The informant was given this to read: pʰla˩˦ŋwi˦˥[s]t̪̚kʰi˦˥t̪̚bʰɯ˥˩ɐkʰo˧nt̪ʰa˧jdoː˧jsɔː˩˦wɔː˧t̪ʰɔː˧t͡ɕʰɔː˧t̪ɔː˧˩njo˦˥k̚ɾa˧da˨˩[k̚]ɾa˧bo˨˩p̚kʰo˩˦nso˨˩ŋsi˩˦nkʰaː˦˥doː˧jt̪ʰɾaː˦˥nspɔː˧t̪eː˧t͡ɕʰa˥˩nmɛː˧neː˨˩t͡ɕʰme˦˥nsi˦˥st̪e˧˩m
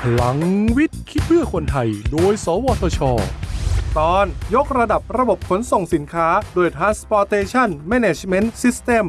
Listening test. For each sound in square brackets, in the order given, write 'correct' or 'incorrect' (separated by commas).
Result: incorrect, incorrect